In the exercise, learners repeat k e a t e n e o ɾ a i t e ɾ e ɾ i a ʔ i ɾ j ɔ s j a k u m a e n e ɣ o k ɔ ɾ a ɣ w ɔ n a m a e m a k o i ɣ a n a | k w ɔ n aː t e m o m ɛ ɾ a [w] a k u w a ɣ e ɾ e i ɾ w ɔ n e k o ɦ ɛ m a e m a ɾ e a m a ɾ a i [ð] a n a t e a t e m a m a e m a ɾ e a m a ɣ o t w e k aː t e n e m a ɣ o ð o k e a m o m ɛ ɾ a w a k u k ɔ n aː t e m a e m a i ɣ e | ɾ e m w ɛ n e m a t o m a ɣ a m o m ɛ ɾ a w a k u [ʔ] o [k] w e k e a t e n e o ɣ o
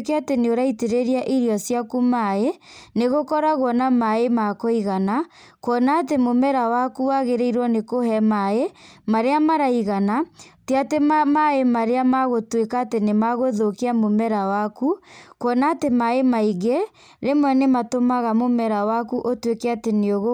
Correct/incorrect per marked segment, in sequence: correct, incorrect: ɣ, correct, incorrect: t

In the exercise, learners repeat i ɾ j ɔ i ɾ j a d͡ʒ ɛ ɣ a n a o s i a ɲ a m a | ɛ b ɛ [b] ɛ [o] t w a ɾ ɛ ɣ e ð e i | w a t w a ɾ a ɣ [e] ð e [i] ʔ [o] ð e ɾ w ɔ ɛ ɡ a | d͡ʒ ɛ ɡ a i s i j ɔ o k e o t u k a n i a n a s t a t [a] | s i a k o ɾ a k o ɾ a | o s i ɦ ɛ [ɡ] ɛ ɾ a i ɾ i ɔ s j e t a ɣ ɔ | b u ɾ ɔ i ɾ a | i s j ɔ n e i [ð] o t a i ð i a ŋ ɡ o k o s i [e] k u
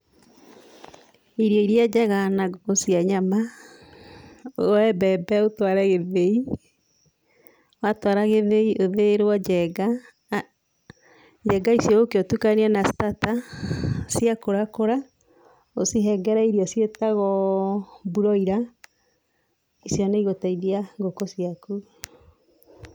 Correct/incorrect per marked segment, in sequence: correct, correct, correct, correct, correct, correct, correct, incorrect: ɣ, incorrect: a

